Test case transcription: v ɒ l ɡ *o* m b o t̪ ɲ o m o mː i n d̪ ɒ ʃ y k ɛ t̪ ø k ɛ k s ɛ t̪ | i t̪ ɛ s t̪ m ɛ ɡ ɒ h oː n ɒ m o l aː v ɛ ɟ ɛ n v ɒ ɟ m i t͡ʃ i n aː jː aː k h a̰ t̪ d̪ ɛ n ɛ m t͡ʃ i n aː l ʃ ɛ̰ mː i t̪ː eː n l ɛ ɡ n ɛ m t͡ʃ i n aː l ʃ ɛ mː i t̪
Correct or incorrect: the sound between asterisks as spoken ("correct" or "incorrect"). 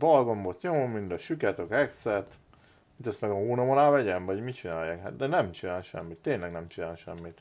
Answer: correct